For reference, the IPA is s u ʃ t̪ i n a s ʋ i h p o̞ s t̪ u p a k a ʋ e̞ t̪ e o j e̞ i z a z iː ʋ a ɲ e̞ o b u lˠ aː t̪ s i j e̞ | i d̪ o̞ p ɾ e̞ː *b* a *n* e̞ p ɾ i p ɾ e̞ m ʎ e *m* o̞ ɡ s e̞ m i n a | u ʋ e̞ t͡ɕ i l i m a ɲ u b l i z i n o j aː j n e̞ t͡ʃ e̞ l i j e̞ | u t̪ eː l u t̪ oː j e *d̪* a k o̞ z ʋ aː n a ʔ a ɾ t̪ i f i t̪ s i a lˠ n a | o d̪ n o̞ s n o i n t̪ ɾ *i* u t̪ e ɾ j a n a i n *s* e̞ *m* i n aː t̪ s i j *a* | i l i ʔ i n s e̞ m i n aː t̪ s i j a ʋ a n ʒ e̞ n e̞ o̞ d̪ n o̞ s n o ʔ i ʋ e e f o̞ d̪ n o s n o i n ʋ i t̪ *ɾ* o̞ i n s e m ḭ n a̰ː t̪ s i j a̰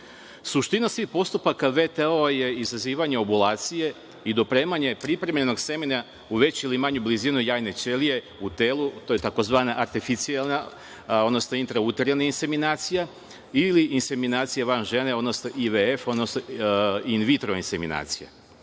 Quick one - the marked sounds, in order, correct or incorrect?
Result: incorrect: m, incorrect: ɲ, incorrect: n, incorrect: t̪, incorrect: a, correct, correct, correct, correct

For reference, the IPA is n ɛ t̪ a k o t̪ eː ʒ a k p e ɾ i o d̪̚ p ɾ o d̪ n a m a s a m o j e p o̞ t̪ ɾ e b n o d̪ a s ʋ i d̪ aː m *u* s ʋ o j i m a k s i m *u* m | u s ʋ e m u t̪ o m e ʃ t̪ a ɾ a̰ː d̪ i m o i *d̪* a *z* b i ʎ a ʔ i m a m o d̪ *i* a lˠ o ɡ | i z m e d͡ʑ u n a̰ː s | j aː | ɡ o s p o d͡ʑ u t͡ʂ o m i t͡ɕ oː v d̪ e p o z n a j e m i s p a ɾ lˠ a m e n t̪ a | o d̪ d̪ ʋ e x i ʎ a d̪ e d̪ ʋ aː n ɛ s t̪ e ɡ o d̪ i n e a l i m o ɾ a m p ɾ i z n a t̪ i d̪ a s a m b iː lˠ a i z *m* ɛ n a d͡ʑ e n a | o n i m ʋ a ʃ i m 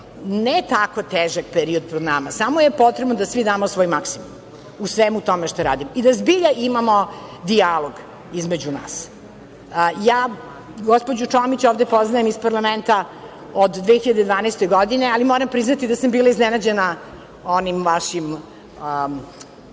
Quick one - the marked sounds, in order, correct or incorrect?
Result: incorrect: o, correct, correct, correct, correct, incorrect: n

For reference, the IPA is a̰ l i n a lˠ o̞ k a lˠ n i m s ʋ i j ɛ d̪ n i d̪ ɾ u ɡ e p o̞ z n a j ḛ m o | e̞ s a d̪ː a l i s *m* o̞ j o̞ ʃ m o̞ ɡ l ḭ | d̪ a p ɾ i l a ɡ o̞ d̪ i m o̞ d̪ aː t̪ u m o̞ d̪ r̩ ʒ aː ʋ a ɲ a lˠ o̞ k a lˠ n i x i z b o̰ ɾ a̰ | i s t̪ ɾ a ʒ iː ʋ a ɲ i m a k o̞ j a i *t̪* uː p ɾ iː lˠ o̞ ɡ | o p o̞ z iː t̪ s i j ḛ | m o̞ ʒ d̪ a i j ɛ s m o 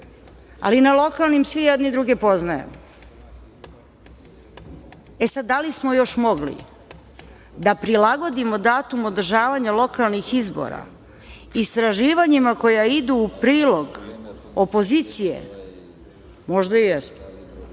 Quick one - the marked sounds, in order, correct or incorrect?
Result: correct, incorrect: d̪

